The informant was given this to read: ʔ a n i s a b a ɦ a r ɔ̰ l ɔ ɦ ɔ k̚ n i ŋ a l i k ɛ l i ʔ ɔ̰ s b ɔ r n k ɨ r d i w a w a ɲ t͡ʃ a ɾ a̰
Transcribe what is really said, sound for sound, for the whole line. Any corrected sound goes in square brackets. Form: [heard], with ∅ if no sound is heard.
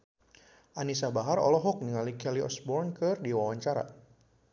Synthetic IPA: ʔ a n i s a b a ɦ a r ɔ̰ l ɔ ɦ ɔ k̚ n i ŋ a l i k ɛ l i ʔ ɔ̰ s b ɔ r n k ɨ r d i w a w a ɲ t͡ʃ a ɾ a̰